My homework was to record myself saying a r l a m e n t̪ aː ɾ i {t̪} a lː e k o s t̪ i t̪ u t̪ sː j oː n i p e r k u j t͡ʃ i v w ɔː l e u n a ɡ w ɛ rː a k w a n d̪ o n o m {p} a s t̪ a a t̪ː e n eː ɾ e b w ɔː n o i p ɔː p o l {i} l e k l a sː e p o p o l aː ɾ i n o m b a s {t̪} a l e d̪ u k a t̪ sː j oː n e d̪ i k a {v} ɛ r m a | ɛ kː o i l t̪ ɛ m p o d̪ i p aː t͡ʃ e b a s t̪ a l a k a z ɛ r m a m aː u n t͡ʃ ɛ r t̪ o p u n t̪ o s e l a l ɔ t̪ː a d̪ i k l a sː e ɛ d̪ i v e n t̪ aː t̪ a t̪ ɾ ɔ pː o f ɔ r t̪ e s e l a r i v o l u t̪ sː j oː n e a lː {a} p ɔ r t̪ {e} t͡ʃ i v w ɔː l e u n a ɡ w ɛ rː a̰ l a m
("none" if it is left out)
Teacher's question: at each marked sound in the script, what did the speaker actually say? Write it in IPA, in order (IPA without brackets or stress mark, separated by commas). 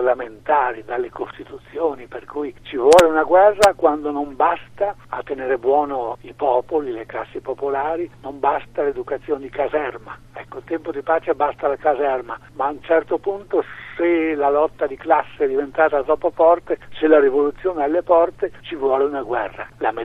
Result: d̪, b, i, t̪, z, e, e